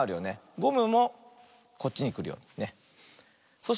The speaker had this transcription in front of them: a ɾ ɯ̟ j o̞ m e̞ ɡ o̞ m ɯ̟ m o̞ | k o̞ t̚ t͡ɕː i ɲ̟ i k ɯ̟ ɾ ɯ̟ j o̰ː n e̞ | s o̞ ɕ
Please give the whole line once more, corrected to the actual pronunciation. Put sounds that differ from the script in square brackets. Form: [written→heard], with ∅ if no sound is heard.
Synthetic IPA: a ɾ ɯ̟ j o̞ [m→n] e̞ ɡ o̞ m ɯ̟ m o̞ | k o̞ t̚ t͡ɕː i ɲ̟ i k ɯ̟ ɾ ɯ̟ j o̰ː n e̞ | s o̞ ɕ